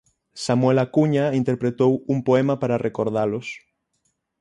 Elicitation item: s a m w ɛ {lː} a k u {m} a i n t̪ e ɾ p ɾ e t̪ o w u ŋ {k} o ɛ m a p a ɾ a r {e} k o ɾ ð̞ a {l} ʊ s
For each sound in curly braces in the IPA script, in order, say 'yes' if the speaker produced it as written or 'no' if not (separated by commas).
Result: no, no, no, yes, yes